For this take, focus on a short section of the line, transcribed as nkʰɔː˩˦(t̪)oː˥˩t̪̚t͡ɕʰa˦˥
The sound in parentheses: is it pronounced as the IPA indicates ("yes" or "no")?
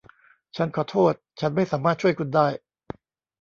no